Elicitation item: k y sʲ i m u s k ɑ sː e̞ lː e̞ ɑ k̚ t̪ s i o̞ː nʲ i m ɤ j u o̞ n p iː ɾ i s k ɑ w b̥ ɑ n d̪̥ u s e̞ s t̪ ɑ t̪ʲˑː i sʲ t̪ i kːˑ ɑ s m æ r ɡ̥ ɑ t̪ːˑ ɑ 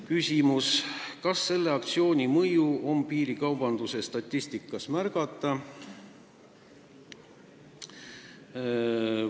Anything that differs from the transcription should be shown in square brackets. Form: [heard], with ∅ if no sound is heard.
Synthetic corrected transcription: k y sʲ i m u s k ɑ sː e̞ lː e̞ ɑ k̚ t̪ s i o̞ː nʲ i m ɤ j u o̞ [m] p iː ɾ i [∅] k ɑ w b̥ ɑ n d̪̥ u s e̞ s t̪ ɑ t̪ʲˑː i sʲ t̪ i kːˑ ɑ s m æ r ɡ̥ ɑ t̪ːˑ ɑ